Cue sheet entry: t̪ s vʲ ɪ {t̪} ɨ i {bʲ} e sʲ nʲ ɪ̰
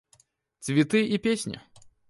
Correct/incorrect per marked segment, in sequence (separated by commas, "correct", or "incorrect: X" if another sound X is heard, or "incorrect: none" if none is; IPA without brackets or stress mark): correct, incorrect: pʲ